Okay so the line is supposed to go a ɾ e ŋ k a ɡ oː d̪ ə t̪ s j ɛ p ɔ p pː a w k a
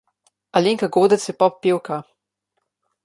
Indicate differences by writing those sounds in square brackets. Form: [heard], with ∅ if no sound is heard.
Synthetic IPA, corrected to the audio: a [l] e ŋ k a ɡ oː d̪ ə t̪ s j ɛ p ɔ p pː [e] w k a